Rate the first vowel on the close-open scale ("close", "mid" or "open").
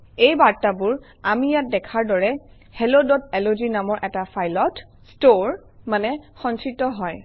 mid